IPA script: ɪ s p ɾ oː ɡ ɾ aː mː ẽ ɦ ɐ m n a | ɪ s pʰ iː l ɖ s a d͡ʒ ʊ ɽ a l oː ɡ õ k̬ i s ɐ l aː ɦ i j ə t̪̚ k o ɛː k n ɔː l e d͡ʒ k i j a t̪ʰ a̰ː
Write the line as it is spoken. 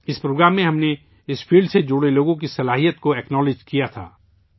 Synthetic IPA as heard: ɪ s p ɾ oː ɡ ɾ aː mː ẽ ɦ ɐ m n e | ɪ s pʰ iː l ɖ s e d͡ʒ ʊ ɽ e l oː ɡ õ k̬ i s ɐ l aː ɦ i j ə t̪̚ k o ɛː k n ɔː l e d͡ʒ k i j a t̪ʰ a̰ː

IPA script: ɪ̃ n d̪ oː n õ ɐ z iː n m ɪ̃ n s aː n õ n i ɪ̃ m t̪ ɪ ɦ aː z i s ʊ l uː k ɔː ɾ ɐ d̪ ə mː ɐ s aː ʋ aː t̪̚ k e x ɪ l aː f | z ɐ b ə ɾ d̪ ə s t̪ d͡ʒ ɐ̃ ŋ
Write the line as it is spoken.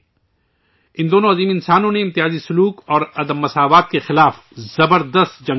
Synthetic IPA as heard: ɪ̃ n d̪ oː n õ ɐ z iː m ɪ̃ n s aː n õ n e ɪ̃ m t̪ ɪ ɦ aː z i s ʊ l uː k ɔː ɾ ɐ d̪ ə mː ɐ s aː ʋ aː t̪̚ k e x ɪ l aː f | z ɐ b ə ɾ d̪ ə s t̪ d͡ʒ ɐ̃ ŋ

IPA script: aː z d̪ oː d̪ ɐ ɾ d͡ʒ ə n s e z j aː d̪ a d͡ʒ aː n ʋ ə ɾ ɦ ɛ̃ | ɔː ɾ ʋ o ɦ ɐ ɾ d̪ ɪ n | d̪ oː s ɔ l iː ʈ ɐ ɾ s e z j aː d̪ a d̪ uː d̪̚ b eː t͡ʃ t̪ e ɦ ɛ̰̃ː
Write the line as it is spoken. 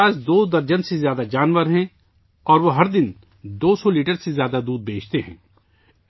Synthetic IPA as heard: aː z d̪ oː d̪ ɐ ɾ d͡ʒ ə n s e z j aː d̪ a d͡ʒ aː n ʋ ə ɾ ɦ ɛ̃ | ɔː ɾ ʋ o ɦ ɐ ɾ d̪ ɪ n | d̪ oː s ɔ l iː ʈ ə ɾ s e z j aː d̪ a d̪ uː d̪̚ b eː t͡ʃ t̪ e ɦ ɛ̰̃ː

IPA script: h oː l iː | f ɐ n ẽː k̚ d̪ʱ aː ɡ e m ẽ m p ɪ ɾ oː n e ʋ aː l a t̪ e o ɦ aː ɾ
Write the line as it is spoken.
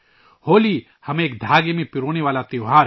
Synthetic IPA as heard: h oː l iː | h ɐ m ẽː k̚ d̪ʱ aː ɡ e m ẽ p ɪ ɾ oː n e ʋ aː l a t̪ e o ɦ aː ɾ

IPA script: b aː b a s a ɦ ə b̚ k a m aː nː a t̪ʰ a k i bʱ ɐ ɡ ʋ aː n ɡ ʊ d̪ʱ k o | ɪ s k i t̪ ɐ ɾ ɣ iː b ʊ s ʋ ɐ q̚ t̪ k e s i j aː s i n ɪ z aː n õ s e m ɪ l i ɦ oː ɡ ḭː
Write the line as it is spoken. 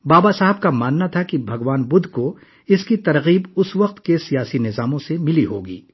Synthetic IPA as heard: b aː b a s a ɦ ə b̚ k a m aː nː a t̪ʰ a k i bʱ ɐ ɡ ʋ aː n b ʊ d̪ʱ k o | ɪ s k i t̪ ɐ ɾ ɣ iː b ʊ s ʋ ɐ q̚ t̪ k e s i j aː s i n ɪ z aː m õ s e m ɪ l i ɦ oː ɡ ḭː

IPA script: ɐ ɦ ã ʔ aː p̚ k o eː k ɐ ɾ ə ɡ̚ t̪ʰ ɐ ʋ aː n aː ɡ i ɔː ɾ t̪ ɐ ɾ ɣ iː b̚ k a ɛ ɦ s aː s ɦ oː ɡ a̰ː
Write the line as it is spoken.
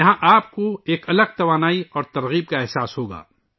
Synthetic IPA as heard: ɐ ɦ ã ʔ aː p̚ k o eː k ɐ l ə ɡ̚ t̪ ɐ ʋ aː n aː i ɔː ɾ t̪ ɐ ɾ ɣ iː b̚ k a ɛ ɦ s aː s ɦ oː ɡ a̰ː

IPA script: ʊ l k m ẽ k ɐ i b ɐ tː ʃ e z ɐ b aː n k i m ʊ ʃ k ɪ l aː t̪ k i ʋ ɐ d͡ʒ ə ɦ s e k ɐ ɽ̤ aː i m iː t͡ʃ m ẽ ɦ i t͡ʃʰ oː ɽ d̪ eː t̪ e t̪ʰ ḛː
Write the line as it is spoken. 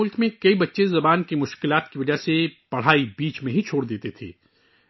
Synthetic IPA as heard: ʊ l k m ẽ k ɐ i b ɐ tː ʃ e z ɐ b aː n k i m ʊ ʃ k ɪ l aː t̪ k i ʋ ɐ d͡ʒ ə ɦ s e p ɐ ɽ̤ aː i b iː t͡ʃ m ẽ ɦ i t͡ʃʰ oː ɽ d̪ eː t̪ e t̪ʰ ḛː

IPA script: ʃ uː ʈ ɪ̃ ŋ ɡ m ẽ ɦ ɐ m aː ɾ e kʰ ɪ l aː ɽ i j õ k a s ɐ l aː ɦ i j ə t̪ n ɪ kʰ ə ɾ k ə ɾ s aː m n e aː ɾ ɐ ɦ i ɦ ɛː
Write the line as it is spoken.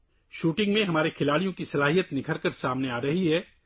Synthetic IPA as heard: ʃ uː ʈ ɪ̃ ŋ ɡ m ẽ ɦ ɐ m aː ɾ e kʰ ɪ l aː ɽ i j õ k i s ɐ l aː ɦ i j ə t̪ n ɪ kʰ ə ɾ k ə ɾ s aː m n e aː ɾ ɐ ɦ i ɦ ɛː

